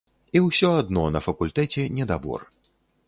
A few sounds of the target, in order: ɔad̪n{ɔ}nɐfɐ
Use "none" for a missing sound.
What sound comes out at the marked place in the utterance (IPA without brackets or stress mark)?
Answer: ɔ